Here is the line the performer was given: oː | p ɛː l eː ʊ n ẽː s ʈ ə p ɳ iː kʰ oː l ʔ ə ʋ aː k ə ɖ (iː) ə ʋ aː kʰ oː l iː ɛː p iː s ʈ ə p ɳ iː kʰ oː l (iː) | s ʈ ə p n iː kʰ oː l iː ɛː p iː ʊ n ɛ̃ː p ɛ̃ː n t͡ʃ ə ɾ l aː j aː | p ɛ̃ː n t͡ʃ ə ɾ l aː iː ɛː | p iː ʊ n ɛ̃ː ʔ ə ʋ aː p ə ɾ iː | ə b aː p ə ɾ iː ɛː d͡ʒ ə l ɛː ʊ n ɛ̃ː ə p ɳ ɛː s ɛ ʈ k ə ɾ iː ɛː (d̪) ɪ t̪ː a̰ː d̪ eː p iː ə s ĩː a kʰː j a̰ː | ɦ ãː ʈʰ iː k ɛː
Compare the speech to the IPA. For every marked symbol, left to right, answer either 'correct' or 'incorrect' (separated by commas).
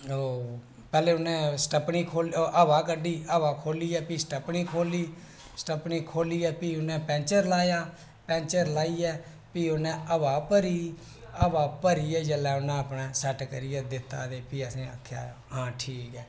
correct, correct, correct